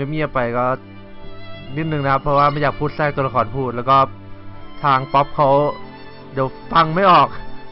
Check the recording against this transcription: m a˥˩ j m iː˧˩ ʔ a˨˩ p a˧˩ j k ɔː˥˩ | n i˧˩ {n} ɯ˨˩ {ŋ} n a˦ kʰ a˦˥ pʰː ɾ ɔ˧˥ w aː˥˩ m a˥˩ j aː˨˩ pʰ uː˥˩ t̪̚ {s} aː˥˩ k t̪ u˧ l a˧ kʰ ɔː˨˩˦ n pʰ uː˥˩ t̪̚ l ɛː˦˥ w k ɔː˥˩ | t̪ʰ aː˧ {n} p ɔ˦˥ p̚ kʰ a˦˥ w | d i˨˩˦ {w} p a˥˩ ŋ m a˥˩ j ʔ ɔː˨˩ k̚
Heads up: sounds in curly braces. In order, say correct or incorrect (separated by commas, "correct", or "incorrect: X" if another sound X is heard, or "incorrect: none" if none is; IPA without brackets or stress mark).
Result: correct, correct, correct, incorrect: ŋ, correct